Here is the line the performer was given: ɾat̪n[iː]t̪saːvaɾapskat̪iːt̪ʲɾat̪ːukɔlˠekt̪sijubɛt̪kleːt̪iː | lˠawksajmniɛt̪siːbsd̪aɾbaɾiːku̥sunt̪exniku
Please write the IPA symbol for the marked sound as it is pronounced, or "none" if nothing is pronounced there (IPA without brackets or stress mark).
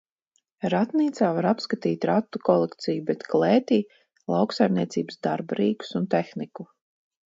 iː